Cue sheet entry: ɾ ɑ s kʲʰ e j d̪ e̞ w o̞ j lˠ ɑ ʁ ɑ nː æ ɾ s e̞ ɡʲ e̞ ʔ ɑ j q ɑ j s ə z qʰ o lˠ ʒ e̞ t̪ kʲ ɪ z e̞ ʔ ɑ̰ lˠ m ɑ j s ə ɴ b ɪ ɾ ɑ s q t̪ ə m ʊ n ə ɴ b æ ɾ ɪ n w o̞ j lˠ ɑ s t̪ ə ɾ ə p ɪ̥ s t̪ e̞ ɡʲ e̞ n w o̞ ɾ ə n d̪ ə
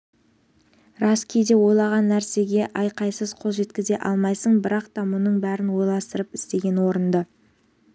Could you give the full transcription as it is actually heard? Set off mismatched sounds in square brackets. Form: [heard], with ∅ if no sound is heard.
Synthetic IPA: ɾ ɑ s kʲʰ e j d̪ e̞ w o̞ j lˠ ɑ ʁ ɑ nː æ ɾ s e̞ ɡʲ e̞ ʔ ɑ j q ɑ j s ə z qʰ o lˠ ʒ e̞ t̪ kʲ ɪ z e̞ ʔ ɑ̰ lˠ m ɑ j s ə ɴ b ɪ ɾ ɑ [∅] q t̪ [ɑ] m ʊ n ə ɴ b æ ɾ ɪ n w o̞ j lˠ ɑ s t̪ ə ɾ ə p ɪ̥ s t̪ e̞ ɡʲ e̞ n w o̞ ɾ ə n d̪ ə